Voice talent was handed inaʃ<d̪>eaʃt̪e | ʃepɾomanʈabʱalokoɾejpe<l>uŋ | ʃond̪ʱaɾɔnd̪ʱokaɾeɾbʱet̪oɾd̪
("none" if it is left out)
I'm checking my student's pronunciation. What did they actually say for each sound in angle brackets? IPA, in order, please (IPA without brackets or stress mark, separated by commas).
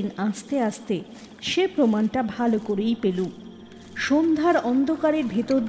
t̪, l